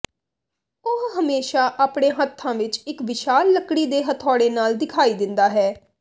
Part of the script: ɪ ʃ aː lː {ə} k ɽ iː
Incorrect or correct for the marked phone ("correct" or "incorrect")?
correct